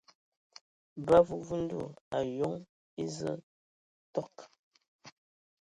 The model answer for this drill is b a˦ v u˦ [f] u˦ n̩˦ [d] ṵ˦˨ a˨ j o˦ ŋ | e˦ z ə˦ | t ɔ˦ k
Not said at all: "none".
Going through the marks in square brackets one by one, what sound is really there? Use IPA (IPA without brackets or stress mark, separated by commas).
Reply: v, d